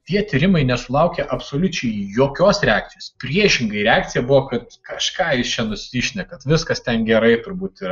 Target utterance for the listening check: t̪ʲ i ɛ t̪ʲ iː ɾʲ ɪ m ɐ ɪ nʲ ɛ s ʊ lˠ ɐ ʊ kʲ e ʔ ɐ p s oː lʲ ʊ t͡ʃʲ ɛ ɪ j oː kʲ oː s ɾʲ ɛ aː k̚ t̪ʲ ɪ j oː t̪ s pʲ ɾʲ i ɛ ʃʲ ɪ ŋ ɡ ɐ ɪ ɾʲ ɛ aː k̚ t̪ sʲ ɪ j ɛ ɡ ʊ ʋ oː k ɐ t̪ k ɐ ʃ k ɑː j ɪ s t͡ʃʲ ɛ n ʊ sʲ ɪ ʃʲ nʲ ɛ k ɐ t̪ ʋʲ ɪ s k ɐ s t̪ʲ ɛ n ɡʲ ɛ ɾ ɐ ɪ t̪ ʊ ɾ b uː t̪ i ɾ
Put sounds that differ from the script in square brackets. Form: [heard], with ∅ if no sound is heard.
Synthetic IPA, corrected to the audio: t̪ʲ i ɛ t̪ʲ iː ɾʲ ɪ m ɐ ɪ nʲ ɛ s ʊ lˠ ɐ ʊ kʲ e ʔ ɐ p s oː lʲ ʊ t͡ʃʲ ɛ ɪ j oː kʲ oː s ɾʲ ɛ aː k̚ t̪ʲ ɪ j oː [∅] s pʲ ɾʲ i ɛ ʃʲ ɪ ŋ ɡ ɐ ɪ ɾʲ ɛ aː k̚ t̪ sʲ ɪ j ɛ [b] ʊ ʋ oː k ɐ t̪ k ɐ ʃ k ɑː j ɪ s t͡ʃʲ ɛ n ʊ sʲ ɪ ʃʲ nʲ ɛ k ɐ t̪ ʋʲ ɪ s k ɐ s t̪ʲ ɛ n ɡʲ ɛ ɾ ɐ ɪ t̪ ʊ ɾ b uː t̪ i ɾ